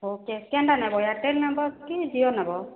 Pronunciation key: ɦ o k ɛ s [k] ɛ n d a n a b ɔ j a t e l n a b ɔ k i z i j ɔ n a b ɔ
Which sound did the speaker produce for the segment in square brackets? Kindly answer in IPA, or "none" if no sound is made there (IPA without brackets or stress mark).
k